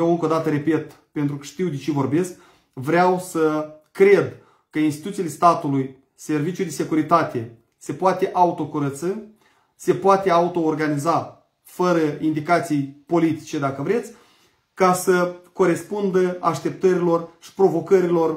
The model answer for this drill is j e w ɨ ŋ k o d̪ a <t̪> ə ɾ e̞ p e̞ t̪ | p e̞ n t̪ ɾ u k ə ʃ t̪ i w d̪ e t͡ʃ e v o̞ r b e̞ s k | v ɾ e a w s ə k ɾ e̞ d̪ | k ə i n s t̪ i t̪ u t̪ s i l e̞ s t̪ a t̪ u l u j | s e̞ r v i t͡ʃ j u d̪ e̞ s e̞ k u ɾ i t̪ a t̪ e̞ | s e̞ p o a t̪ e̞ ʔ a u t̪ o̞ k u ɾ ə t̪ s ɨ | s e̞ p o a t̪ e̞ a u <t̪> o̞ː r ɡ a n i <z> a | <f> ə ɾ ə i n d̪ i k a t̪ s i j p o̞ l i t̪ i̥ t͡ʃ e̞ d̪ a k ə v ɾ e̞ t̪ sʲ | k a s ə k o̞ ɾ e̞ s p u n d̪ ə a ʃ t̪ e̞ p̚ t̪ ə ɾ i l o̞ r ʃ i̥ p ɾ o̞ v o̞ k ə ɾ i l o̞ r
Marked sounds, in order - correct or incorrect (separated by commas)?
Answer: correct, correct, correct, correct